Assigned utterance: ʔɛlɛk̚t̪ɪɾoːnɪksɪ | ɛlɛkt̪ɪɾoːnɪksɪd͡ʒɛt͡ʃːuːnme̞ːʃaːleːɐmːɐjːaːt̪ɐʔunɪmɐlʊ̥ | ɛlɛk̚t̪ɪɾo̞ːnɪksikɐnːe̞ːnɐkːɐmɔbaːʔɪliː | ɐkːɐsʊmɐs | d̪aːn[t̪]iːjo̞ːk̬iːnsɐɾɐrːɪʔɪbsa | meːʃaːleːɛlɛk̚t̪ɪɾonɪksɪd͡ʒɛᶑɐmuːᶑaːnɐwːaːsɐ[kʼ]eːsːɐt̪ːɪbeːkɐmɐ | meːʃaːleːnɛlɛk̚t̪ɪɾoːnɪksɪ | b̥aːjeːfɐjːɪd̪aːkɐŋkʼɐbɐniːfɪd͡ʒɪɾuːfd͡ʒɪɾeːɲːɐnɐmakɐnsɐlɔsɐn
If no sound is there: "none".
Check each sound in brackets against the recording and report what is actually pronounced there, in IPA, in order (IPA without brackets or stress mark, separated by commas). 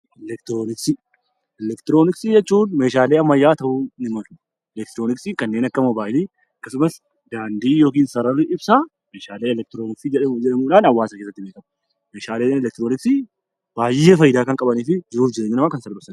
d̪, k